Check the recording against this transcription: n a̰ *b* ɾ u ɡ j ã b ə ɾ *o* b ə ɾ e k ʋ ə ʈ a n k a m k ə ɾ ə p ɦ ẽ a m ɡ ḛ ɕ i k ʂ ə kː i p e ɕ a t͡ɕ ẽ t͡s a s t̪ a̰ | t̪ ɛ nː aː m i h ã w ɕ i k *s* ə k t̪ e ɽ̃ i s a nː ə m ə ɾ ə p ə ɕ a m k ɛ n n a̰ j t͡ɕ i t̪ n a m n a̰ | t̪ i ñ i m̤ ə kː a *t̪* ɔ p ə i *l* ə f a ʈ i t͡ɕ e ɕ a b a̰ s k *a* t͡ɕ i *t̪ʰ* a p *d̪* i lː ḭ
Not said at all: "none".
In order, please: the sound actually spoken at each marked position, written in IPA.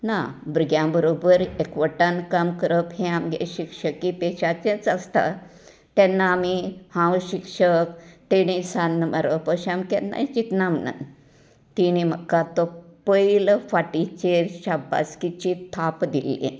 b, o, ʂ, t̪, l, i, t̪ʰ, d̪

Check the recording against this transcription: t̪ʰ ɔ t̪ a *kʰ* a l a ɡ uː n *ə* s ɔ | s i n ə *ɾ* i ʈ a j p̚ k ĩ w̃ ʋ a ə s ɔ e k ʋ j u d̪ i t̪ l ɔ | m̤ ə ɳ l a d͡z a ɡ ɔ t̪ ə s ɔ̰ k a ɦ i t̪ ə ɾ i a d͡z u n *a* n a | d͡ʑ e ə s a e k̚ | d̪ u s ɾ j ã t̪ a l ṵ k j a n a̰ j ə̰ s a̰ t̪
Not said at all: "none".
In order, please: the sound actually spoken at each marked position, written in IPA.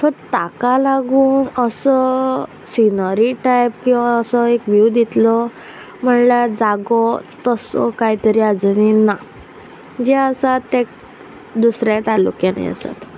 k, ə, ɾ, i

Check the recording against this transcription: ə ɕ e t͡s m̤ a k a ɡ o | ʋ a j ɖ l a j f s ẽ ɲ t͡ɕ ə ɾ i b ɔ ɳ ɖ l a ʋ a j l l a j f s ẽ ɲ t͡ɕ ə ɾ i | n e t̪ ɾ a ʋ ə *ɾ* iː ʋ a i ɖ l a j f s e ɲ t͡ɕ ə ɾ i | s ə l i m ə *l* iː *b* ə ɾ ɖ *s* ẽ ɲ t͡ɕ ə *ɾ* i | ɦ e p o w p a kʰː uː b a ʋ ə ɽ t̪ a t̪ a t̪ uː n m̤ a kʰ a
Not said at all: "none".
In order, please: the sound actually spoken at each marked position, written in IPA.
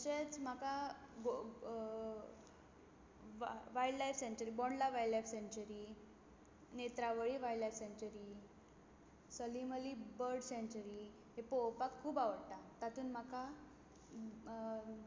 ɭ, l, b, s, ɾ

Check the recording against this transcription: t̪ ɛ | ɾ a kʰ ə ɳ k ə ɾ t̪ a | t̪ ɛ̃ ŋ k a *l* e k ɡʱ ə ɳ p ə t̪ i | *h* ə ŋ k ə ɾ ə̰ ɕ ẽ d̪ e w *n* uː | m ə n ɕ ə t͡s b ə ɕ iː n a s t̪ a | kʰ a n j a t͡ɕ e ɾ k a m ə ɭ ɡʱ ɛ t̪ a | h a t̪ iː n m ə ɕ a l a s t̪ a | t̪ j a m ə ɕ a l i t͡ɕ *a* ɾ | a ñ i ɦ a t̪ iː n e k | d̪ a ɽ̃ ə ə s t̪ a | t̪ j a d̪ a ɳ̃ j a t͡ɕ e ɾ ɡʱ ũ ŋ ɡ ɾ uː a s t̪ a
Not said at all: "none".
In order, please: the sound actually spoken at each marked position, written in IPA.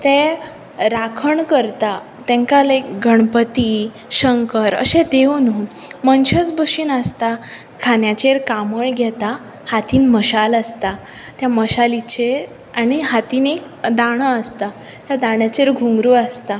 l, ɕ, n, e

